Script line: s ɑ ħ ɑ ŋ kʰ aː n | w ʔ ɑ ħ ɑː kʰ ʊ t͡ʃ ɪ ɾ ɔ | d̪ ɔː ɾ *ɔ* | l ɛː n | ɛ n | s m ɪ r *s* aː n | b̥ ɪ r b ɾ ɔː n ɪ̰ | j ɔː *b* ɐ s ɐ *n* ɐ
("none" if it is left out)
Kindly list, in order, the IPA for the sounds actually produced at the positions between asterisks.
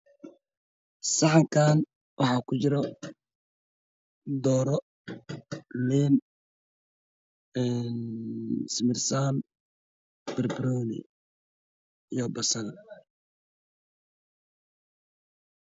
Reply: ɔ, s, b, n

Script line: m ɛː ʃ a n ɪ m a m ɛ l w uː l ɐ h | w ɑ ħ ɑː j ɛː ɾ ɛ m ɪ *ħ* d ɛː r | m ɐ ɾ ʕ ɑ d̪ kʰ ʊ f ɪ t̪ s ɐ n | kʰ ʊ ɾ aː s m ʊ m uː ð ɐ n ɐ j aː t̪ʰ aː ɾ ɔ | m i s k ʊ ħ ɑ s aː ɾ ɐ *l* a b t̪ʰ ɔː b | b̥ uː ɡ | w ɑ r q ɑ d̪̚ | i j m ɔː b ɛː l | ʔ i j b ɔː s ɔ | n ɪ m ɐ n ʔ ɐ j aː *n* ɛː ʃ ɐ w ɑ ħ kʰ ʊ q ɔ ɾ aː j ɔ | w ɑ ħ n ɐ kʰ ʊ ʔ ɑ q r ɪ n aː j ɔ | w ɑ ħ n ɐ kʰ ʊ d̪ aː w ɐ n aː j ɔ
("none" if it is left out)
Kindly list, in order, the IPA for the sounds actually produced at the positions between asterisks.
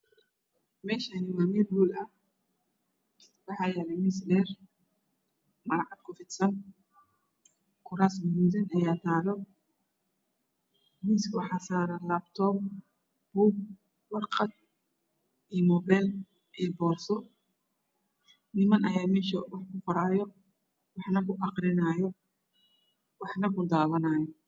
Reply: s, l, m

